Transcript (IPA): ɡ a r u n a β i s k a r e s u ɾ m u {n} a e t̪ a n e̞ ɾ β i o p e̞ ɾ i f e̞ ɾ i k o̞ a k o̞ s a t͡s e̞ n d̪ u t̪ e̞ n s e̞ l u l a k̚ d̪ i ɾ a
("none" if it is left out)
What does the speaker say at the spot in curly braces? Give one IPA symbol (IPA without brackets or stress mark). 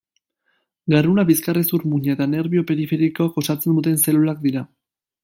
ɲ